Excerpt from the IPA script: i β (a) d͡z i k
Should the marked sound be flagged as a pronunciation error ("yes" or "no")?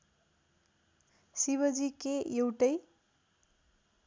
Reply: yes